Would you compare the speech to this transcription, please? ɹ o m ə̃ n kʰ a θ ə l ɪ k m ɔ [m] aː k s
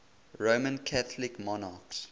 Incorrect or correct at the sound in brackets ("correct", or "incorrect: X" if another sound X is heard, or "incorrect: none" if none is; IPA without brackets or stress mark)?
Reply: incorrect: n